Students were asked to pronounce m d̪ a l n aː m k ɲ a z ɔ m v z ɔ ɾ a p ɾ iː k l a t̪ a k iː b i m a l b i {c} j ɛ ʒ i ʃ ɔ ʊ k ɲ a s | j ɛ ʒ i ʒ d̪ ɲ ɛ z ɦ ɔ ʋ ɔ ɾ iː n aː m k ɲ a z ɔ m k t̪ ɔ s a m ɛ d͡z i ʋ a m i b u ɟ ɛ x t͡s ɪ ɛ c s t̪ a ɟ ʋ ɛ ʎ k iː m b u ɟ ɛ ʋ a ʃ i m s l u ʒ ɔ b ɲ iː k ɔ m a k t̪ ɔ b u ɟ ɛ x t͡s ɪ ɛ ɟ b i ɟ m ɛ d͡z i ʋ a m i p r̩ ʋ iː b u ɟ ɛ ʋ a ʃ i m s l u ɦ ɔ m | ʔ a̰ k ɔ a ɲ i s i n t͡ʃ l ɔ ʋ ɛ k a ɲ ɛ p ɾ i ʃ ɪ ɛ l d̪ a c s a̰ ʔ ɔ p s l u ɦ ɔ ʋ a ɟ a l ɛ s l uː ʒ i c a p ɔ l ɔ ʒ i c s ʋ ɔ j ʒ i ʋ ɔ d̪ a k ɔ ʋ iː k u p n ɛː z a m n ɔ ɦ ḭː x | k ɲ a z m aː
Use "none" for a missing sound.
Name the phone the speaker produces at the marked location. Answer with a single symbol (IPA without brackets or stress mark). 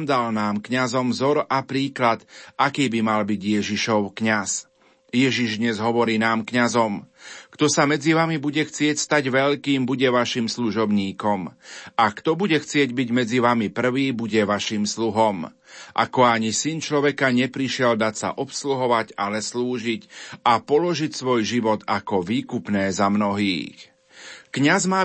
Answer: ɟ